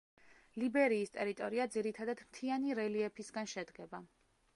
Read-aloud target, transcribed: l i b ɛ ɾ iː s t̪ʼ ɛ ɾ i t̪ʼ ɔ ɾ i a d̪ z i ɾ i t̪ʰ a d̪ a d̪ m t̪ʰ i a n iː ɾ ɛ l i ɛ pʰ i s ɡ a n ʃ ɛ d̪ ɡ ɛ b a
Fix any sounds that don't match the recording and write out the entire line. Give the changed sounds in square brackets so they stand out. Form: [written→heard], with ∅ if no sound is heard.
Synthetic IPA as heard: l i b ɛ ɾ iː s t̪ʼ ɛ ɾ i t̪ʼ ɔ ɾ i a d̪ z i ɾ i t̪ʰ a d̪ a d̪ m t̪ʰ i a n [iː→i] ɾ ɛ l i ɛ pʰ i s ɡ a n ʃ ɛ d̪ ɡ ɛ b a